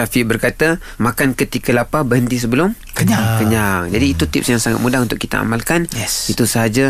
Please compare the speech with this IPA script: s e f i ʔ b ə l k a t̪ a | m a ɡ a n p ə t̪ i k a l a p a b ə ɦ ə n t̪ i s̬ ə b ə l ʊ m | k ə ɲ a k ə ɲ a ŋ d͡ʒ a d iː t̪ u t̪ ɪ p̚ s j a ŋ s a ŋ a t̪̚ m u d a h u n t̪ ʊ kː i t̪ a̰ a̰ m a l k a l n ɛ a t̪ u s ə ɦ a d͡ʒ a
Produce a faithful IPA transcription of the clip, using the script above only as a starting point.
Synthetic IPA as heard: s a f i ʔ b ə r k a t̪ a | m a k a n k ə t̪ i k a l a p a b ə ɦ ə n t̪ i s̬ ə b ə l ʊ m | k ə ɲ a k ə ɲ a ŋ d͡ʒ a d iː t̪ u t̪ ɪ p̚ s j a ŋ s a ŋ a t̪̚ m u d a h u n t̪ ʊ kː i t̪ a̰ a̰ m a l k a n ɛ i t̪ u s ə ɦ a d͡ʒ a